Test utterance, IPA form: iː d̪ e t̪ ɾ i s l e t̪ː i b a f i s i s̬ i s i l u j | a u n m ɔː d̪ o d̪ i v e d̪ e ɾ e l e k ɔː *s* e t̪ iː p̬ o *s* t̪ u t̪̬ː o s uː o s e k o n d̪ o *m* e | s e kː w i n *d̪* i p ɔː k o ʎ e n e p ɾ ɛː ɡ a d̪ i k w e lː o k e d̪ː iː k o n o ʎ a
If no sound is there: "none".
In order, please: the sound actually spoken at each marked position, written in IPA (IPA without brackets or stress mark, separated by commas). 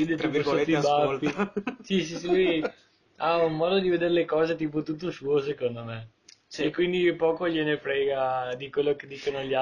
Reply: z, none, m, d̪